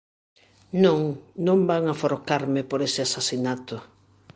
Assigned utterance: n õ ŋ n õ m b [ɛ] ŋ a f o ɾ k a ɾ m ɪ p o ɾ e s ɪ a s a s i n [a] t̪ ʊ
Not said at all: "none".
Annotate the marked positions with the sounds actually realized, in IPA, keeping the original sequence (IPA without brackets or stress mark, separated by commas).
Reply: a, a